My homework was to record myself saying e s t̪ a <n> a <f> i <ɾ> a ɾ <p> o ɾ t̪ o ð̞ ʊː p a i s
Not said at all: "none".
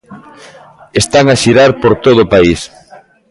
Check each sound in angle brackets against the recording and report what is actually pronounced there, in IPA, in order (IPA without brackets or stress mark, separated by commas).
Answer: ŋ, ʃ, ɾ, p